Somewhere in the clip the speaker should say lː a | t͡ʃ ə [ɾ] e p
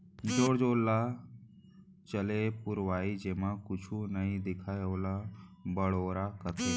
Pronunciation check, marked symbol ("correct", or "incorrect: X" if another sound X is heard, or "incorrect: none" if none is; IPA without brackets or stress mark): incorrect: l